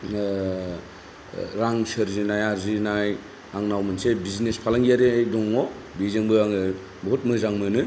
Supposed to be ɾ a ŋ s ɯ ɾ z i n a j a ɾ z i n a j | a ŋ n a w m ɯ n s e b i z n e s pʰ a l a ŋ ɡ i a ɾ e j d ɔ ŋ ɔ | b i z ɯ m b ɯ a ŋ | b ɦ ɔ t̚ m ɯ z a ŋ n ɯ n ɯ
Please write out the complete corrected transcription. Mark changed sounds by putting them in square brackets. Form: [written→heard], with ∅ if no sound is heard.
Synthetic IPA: ɾ a ŋ s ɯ ɾ z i n a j a ɾ z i n a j | a ŋ n a w m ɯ n s e b i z n e s pʰ a l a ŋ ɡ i a ɾ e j d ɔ ŋ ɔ | b i z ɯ [m→ŋ] b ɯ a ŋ | b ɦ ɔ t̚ m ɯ z a ŋ [n→m] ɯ n ɯ